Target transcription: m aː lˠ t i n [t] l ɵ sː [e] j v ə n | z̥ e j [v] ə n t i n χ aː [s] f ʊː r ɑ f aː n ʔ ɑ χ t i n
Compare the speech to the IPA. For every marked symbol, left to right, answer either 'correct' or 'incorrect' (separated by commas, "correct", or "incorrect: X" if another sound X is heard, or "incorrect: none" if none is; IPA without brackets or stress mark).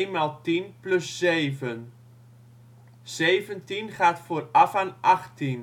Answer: incorrect: p, correct, correct, incorrect: t